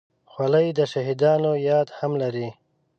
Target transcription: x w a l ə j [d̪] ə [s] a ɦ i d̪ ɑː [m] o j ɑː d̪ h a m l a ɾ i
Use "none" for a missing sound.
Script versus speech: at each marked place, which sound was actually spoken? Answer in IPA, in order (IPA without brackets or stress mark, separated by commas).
d̪, ʃ, n